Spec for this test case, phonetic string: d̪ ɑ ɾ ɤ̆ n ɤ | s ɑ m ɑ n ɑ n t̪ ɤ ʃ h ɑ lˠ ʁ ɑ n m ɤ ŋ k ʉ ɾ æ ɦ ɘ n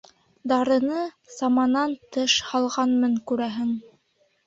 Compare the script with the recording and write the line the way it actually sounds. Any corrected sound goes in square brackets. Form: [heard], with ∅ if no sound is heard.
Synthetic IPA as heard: d̪ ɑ ɾ ɤ̆ n ɤ | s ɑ m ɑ n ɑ n t̪ ɤ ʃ h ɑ lˠ ʁ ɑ n m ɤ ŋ k ʉ ɾ æ ɦ ɘ [ŋ]